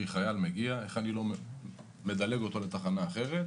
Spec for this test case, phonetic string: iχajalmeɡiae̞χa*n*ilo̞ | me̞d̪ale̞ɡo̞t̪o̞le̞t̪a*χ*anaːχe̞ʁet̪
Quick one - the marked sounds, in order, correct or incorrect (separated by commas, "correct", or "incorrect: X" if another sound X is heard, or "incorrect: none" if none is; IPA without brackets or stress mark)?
correct, correct